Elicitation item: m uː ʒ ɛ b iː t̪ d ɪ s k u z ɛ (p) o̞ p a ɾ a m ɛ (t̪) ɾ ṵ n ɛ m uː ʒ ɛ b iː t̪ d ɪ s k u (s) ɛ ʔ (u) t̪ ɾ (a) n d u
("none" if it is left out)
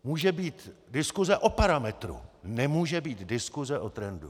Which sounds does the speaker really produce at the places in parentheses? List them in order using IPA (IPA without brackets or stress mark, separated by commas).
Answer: ʔ, t̪, z, o, ɛ